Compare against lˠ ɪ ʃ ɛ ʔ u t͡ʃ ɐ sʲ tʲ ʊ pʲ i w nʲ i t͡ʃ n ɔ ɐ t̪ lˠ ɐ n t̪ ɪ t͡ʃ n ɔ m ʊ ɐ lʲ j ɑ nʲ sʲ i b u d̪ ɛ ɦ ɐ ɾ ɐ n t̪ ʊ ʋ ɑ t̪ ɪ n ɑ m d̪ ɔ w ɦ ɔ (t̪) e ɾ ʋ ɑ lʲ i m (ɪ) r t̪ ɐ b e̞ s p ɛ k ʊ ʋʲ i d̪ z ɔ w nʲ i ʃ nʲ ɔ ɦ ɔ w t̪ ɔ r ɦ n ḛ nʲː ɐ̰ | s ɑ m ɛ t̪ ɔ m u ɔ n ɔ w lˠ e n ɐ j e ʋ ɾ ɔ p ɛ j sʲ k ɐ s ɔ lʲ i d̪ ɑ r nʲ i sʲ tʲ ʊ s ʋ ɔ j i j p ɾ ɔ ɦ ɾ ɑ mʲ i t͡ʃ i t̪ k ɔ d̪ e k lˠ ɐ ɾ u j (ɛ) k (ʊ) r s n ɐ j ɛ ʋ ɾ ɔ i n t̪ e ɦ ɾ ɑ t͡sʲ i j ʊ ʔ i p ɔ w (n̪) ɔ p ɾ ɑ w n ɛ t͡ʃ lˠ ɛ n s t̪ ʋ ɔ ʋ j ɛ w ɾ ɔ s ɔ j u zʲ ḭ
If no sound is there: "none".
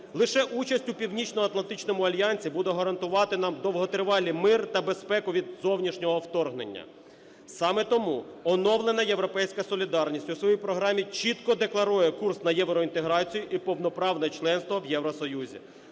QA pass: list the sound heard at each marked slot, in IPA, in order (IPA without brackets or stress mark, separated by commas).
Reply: t̪, ɪ, ɛ, u, n̪